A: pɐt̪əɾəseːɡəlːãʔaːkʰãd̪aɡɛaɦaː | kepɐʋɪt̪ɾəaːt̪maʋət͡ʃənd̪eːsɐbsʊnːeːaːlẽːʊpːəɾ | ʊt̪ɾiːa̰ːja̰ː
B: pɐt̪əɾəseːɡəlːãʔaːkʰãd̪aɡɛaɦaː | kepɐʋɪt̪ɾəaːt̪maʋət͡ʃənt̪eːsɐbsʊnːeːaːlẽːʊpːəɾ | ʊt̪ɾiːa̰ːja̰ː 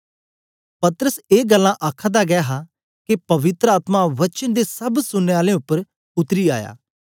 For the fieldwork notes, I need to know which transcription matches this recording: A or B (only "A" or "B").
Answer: A